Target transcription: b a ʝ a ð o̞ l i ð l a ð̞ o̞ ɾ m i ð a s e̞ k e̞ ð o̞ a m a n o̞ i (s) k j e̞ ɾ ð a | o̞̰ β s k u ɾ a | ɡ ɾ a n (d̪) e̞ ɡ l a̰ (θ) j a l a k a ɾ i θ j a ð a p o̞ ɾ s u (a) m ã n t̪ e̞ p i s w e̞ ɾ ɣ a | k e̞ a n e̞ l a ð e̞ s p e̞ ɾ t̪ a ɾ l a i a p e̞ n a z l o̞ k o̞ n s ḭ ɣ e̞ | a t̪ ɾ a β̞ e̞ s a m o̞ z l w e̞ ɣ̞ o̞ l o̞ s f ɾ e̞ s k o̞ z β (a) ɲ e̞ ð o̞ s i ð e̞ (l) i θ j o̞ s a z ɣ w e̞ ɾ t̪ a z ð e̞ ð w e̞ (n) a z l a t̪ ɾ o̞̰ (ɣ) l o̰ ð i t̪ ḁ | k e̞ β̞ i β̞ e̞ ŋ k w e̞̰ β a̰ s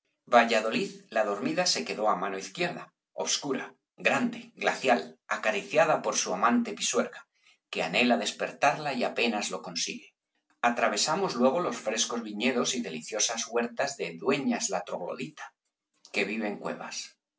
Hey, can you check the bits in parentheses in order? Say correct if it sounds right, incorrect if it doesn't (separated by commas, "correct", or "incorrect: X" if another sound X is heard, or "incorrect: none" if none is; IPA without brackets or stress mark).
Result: incorrect: θ, correct, correct, correct, incorrect: i, correct, incorrect: ɲ, correct